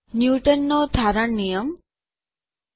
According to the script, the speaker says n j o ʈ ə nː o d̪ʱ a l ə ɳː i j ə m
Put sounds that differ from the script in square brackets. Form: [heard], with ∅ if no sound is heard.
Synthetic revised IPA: n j [u] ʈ ə nː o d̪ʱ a [ɾ] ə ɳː i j ə m